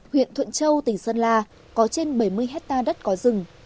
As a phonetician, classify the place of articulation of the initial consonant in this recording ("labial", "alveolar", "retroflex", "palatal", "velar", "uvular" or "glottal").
glottal